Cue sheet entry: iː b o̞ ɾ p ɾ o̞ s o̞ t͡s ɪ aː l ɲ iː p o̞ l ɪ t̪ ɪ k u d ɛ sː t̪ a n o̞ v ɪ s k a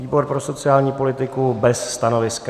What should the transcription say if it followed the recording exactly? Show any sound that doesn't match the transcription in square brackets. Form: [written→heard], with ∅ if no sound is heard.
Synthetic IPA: iː b o̞ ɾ p ɾ o̞ s o̞ t͡s ɪ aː l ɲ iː p o̞ l ɪ t̪ ɪ k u [d→b] ɛ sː t̪ a n o̞ v ɪ s k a